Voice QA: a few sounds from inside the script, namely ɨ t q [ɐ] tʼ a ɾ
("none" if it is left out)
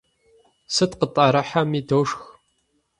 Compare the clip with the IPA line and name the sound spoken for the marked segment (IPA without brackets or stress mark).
ə